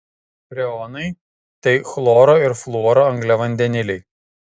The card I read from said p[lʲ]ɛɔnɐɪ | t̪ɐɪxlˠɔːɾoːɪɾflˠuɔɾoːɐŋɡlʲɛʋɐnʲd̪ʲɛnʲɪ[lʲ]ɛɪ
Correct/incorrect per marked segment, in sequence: incorrect, correct

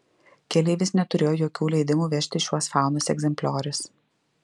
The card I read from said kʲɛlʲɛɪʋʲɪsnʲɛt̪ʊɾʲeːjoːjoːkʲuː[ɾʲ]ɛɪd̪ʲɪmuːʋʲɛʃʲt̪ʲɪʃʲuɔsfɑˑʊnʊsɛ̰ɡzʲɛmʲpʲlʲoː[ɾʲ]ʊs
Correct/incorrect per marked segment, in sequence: incorrect, correct

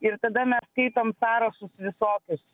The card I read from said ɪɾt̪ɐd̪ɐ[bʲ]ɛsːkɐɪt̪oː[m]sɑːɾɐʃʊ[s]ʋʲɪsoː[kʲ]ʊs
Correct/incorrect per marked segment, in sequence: incorrect, correct, correct, correct

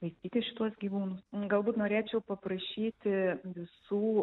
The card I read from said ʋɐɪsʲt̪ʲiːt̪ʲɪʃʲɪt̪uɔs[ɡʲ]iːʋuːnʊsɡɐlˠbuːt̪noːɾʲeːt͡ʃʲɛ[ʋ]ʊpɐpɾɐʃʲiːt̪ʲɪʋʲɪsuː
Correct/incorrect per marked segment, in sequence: correct, incorrect

